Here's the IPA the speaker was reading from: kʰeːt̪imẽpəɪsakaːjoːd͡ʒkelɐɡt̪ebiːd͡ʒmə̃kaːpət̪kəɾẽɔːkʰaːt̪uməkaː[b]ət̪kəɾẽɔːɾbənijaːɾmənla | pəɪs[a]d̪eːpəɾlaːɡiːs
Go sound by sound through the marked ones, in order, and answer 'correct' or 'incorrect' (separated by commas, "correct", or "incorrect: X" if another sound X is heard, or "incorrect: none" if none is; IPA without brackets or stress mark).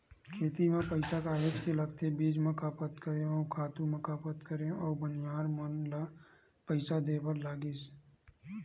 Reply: incorrect: p, correct